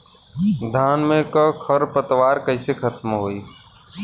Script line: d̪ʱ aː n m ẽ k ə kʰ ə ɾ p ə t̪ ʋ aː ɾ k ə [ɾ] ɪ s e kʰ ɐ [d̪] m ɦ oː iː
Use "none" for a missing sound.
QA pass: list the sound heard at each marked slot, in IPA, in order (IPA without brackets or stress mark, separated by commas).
none, t̪